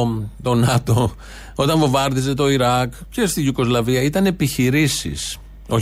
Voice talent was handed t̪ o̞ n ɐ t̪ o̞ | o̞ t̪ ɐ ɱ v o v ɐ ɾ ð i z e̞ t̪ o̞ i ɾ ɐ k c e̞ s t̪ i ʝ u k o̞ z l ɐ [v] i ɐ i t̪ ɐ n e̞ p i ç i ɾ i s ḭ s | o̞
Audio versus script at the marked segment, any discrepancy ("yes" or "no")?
no